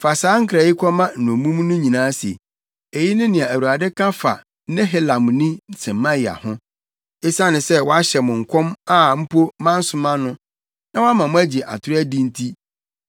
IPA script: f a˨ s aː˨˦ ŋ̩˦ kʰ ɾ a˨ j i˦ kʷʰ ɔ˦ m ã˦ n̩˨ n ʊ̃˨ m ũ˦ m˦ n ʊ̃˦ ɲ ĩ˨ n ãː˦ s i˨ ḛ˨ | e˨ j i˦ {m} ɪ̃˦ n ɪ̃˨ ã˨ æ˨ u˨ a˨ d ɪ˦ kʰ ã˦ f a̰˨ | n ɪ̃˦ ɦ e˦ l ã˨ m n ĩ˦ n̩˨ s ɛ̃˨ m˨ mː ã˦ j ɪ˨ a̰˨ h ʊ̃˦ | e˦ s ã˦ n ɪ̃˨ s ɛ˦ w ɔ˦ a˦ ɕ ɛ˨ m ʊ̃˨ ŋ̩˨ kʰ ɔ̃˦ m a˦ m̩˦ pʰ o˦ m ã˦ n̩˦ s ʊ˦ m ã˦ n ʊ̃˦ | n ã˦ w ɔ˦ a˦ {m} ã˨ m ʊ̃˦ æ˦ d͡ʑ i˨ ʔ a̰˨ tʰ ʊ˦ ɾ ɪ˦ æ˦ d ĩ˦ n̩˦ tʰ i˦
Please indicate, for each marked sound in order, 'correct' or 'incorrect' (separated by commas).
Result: incorrect, correct